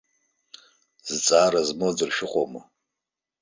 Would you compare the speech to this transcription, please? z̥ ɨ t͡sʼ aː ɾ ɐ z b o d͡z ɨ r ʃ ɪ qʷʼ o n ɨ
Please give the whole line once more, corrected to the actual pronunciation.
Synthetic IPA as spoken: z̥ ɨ t͡sʼ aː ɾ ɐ z m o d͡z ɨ r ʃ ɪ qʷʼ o m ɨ

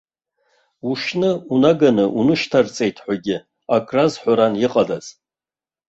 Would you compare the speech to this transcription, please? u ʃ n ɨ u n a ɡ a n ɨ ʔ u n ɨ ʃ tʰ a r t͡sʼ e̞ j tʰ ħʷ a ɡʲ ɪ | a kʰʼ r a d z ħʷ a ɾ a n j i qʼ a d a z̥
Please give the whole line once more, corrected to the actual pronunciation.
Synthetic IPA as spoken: u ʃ n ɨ u n a ɡ a n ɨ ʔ u n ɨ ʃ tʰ a r t͡sʼ e̞ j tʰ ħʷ a ɡʲ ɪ | a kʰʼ r a z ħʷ a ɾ a n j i qʼ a d a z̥

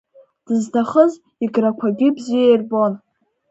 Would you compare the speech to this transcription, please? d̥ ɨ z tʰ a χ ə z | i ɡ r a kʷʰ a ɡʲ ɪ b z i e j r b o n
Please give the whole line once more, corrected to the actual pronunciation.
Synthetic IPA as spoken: d̥ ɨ z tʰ a χ ə z | i ɡ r a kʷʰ a ɡʲ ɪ b z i e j r b o n

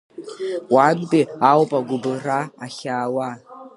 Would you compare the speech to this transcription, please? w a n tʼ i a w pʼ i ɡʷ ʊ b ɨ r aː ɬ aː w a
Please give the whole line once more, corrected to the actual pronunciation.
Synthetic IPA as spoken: w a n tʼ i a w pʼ a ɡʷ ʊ b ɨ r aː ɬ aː w a

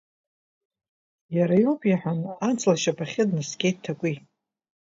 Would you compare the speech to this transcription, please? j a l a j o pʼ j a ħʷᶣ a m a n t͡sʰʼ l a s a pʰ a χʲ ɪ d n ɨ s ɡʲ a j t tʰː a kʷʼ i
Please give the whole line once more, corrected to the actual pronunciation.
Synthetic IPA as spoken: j a ɾ a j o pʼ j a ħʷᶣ a n a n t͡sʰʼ l a ʃ a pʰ a χʲ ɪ d n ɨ s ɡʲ e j t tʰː a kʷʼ i

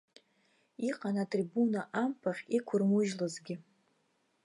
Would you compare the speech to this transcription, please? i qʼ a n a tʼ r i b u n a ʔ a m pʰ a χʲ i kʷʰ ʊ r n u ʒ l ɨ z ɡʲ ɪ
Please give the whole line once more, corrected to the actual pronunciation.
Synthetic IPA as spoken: i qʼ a n a tʼ r i b u n a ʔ a m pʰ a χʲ i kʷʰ ʊ r m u ʒ l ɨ z ɡʲ ɪ

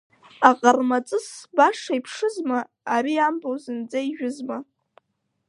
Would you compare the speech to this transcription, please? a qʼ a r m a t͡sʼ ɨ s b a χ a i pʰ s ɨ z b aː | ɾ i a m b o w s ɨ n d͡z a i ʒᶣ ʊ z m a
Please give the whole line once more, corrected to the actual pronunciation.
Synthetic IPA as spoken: a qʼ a r m a t͡sʼ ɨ s b a ʂ a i pʰ ʂ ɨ z m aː | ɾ i a m b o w z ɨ n d͡z a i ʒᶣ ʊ z m a

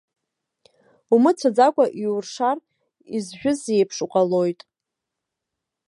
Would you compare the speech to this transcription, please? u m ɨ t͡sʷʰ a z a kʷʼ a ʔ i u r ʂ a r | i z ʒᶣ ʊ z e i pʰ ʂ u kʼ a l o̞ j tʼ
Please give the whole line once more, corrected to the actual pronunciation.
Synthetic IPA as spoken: u m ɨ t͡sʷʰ a d͡z a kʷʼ a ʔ i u r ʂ a r | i z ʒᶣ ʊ z e j pʰ ʂ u qʼ a l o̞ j tʼ

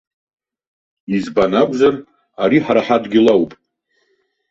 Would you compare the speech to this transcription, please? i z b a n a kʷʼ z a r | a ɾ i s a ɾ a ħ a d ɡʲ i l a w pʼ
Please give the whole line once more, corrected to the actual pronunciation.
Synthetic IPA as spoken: i z b a n a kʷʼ z a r | a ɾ i ħ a ɾ a ħ a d ɡʲ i l a w pʼ

